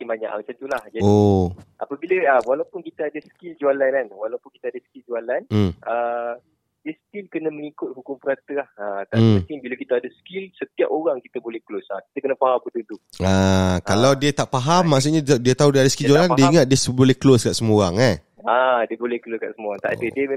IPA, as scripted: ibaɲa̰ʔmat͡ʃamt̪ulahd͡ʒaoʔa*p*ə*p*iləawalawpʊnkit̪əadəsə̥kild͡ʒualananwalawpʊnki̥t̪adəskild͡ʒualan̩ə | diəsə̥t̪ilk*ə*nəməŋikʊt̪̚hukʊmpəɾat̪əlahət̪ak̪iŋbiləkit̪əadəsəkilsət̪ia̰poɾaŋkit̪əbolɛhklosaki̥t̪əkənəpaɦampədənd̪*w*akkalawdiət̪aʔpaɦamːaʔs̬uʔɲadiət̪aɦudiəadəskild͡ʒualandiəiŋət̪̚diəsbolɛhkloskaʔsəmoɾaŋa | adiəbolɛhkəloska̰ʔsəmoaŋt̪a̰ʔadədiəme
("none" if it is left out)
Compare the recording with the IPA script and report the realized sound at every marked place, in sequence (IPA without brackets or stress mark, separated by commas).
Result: p, b, ə, u